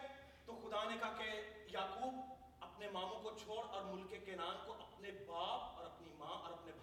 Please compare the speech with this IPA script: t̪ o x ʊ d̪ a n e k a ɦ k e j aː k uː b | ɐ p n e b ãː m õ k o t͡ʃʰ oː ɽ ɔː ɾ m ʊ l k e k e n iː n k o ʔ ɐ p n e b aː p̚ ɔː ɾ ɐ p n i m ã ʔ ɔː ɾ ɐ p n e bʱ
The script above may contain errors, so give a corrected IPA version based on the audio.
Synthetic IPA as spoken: t̪ o x ʊ d̪ a n e k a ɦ k e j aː k uː b | ɐ p n e m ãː m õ k o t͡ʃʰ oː ɽ ɔː ɾ m ʊ l k e k e n aː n k o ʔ ɐ p n e b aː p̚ ɔː ɾ ɐ p n i m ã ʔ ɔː ɾ ɐ p n e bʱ